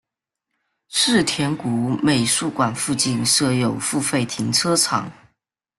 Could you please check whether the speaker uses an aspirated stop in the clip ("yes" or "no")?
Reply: yes